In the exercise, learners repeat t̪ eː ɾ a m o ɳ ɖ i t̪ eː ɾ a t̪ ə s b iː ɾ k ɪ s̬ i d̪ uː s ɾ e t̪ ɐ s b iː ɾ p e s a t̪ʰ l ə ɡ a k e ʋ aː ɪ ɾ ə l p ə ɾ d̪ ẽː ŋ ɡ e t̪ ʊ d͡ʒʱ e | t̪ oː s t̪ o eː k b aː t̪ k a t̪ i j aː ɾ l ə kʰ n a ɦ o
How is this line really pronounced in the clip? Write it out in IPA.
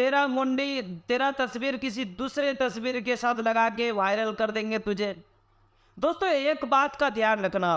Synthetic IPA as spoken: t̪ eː ɾ a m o ɳ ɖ i t̪ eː ɾ a t̪ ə s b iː ɾ k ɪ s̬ i d̪ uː s ɾ e t̪ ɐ s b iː ɾ k e s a t̪ʰ l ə ɡ a k e ʋ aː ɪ ɾ ə l k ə ɾ d̪ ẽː ŋ ɡ e t̪ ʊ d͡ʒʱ e | d̪ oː s t̪ o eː k b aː t̪ k a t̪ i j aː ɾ l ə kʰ n a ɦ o